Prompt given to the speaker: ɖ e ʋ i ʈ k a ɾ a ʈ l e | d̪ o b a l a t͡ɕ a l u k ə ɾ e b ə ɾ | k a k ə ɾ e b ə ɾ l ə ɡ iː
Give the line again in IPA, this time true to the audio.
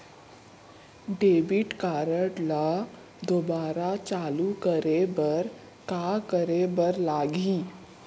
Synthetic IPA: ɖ e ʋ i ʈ k a ɾ ə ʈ l a | d̪ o b a ɾ a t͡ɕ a l u k ə ɾ e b ə ɾ | k a k ə ɾ e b ə ɾ l a ɡ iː

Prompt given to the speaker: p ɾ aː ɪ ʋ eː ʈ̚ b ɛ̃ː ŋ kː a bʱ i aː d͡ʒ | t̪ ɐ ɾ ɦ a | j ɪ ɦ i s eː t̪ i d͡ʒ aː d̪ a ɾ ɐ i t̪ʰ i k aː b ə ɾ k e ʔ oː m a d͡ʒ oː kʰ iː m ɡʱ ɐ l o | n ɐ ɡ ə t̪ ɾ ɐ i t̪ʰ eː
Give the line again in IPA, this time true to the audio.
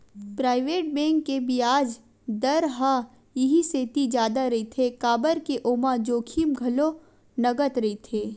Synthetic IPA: p ɾ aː ɪ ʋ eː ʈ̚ b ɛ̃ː ŋ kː e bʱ i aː d͡ʒ | d̪ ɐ ɾ ɦ a | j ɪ ɦ i s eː t̪ i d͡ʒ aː d̪ a ɾ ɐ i t̪ʰ e k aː b ə ɾ k e ʔ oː m a d͡ʒ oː kʰ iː m ɡʱ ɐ l o | n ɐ ɡ ə t̪ ɾ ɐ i t̪ʰ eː

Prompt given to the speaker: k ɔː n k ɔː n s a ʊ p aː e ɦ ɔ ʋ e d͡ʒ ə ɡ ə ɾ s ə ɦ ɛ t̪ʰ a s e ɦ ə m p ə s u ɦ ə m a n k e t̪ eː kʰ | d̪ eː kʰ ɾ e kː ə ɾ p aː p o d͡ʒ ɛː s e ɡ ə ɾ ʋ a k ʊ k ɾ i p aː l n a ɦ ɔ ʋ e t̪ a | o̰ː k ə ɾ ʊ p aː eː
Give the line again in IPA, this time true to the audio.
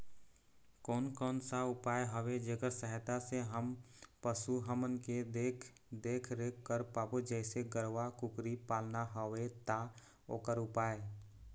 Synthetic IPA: k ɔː n k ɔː n s a ʊ p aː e ɦ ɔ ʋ e d͡ʒ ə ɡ ə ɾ s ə ɦ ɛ t̪ a s e ɦ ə m p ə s u ɦ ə m ə n k e d̪ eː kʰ | d̪ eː kʰ ɾ e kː ə ɾ p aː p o d͡ʒ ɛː s e ɡ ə ɾ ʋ a k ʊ k ɾ i p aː l n a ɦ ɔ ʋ e t̪ a | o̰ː k ə ɾ ʊ p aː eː

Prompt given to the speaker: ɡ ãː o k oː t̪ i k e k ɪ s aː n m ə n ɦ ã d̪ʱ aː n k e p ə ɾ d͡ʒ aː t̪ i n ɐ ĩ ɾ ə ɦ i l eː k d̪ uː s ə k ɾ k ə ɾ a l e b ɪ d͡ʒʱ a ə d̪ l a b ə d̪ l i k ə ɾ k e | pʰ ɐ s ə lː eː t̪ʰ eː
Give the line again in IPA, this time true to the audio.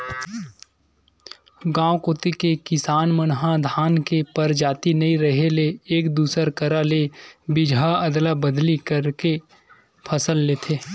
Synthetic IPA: ɡ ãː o k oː t̪ i k e k ɪ s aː n m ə n ɦ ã d̪ʱ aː n k e p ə ɾ d͡ʒ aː t̪ i n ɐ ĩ ɾ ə ɦ e l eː k d̪ uː s ə ɾ k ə ɾ a l e b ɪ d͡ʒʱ a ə d̪ l a b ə d̪ l i k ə ɾ k e | pʰ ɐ s ə lː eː t̪ʰ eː

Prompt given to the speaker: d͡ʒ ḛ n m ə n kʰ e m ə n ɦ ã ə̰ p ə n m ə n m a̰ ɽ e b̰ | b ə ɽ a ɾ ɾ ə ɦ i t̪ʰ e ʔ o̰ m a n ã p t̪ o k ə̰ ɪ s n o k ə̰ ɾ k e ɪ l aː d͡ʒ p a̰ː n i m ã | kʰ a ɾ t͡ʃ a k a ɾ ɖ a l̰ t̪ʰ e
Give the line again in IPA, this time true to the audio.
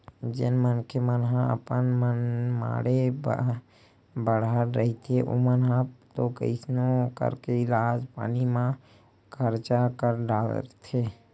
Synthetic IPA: d͡ʒ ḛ n m ə n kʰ e m ə n ɦ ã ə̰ p ə n m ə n m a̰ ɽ e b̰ | b ə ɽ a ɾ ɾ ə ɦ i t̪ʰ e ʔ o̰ m ə n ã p t̪ o k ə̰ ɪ s n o k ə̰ ɾ k e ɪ l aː d͡ʒ p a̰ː n i m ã | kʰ ə ɾ t͡ʃ a k ə ɾ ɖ a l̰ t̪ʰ e

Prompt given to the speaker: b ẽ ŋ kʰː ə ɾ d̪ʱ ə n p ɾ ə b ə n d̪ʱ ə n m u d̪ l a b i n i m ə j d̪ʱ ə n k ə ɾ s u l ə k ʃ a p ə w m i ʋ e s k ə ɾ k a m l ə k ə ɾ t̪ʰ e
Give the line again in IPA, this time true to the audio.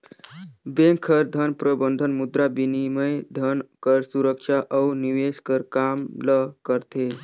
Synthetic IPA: b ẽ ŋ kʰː ə ɾ d̪ʱ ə n p ɾ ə b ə n d̪ʱ ə n m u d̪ ɾ a b i n i m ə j d̪ʱ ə n k ə ɾ s u ɾ ə k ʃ a ʔ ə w n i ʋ e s k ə ɾ k a m l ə k ə ɾ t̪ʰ e

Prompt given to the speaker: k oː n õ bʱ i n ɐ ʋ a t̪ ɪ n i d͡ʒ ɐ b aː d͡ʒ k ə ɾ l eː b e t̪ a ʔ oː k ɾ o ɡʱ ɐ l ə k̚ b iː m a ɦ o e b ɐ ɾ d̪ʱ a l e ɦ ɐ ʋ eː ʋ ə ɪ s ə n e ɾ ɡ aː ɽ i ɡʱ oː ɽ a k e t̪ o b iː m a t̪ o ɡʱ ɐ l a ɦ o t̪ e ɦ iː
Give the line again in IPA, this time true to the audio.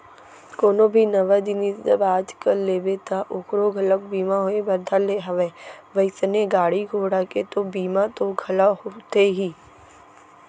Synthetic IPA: k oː n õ bʱ i n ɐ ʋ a d̪ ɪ n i d͡ʒ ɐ b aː d͡ʒ k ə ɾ l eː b e t̪ a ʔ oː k ɾ o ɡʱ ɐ l ə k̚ b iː m a ɦ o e b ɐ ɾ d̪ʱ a l e ɦ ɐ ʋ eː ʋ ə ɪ s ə n e ɡ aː ɽ i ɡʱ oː ɽ a k e t̪ o b iː m a t̪ o ɡʱ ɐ l a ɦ o t̪ e ɦ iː

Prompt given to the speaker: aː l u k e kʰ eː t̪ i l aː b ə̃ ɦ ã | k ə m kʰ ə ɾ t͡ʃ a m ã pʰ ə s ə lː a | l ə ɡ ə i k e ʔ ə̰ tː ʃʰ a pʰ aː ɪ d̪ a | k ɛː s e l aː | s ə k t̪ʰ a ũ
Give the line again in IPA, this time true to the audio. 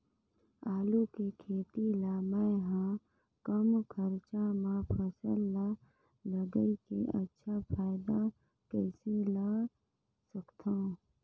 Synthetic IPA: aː l u k e kʰ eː t̪ i l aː m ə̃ ɦ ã | k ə m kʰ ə ɾ t͡ʃ a m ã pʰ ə s ə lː a | l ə ɡ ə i k e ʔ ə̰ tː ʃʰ a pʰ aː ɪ d̪ a | k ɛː s e l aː | s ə k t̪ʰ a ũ

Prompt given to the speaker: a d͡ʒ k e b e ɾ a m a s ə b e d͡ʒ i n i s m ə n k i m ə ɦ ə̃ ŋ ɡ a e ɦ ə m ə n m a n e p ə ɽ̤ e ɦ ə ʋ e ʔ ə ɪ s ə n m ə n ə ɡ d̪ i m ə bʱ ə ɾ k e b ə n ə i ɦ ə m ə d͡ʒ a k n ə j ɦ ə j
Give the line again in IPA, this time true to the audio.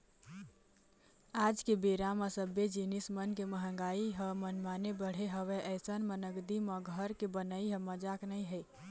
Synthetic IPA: a d͡ʒ k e b e ɾ a m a s ə b e d͡ʒ i n i s m ə n k e m ə ɦ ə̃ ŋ ɡ a i ɦ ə m ə n m a n e b ə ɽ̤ e ɦ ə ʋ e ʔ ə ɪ s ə n m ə n ə ɡ d̪ i m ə ɡʱ ə ɾ k e b ə n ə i ɦ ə m ə d͡ʒ a k n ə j ɦ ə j

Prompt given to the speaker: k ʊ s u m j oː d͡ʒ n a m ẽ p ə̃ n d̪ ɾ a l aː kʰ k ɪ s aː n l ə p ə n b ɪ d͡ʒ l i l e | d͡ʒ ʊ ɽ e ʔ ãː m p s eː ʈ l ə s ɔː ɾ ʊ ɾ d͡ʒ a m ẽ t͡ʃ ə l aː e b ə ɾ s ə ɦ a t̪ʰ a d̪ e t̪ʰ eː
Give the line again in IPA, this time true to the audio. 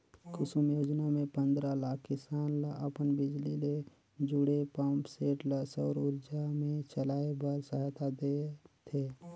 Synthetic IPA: k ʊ s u m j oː d͡ʒ n a m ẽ p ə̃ n d̪ ɾ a l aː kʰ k ɪ s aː n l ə p ə n b ɪ d͡ʒ l i l e | d͡ʒ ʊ ɽ e p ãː m p s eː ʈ l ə s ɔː ɾ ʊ ɾ d͡ʒ a m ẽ t͡ʃ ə l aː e b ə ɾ s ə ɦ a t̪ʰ a d̪ e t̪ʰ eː

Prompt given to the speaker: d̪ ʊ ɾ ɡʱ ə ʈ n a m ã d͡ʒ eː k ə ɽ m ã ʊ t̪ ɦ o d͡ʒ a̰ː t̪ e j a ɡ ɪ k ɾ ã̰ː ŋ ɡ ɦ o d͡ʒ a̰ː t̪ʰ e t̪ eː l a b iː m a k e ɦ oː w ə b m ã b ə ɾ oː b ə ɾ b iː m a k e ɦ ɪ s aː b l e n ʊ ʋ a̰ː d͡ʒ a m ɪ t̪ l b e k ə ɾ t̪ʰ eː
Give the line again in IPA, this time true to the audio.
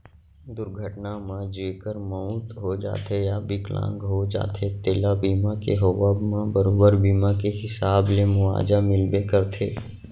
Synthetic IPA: d̪ ʊ ɾ ɡʱ ə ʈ n a m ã d͡ʒ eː k ə ɾ m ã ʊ t̪ ɦ o d͡ʒ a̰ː t̪ e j a b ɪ k l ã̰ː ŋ ɡ ɦ o d͡ʒ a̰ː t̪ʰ e t̪ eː l a b iː m a k e ɦ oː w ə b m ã b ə ɾ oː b ə ɾ b iː m a k e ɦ ɪ s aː b l e m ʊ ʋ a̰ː d͡ʒ a m ɪ l b e k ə ɾ t̪ʰ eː

